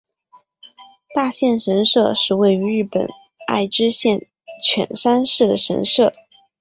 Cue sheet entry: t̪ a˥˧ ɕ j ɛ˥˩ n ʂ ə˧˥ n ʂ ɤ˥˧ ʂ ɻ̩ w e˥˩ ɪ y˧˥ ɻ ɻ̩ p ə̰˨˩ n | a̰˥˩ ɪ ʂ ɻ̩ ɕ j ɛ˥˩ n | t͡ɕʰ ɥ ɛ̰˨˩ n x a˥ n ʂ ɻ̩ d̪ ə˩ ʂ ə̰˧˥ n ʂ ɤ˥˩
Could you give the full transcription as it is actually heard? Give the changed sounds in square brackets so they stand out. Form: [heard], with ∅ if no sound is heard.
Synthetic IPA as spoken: t̪ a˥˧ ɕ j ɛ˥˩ n ʂ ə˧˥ n ʂ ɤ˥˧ ʂ ɻ̩ w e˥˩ ɪ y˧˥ ɻ ɻ̩ p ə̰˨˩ n | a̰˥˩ ɪ [ʈ͡ʂ] ɻ̩ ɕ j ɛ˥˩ n | t͡ɕʰ ɥ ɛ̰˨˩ n [ʂ] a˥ n ʂ ɻ̩ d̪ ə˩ ʂ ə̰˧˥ n ʂ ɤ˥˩